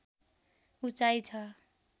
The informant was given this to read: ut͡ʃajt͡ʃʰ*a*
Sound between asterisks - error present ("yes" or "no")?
yes